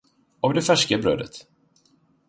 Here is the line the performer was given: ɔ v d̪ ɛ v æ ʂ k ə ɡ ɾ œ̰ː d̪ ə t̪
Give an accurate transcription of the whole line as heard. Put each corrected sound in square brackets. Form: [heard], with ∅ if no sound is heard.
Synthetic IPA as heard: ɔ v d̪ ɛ [f] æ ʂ k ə [b] ɾ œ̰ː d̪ ə t̪